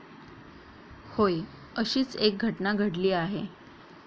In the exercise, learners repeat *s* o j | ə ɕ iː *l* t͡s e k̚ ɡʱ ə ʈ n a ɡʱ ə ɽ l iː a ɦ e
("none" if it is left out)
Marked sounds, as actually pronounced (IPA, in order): h, none

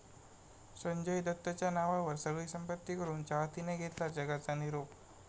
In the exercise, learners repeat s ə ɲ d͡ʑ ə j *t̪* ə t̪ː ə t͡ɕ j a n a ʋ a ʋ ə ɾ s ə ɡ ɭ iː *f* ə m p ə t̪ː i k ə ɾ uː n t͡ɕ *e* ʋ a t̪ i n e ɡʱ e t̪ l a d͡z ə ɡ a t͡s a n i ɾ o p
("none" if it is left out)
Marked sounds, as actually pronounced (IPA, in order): d̪, s, a

